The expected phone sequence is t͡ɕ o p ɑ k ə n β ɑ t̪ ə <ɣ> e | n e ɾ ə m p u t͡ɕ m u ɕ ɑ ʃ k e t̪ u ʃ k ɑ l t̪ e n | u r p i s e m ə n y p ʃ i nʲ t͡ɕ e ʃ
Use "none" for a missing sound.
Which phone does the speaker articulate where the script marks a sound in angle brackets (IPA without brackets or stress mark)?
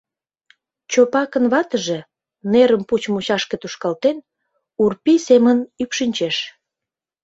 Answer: ʒ